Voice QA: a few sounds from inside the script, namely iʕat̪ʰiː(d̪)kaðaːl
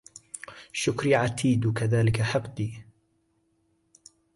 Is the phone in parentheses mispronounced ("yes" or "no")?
no